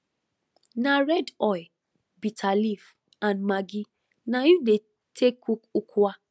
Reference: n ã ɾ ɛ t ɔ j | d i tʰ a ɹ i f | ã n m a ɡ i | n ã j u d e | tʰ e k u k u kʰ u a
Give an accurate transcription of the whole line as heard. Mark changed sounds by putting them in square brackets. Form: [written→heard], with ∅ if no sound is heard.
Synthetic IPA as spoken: n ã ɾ ɛ [t→d] ɔ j | [d→b] i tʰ a [ɹ→l] i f | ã n m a ɡ i | n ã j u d e | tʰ e k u k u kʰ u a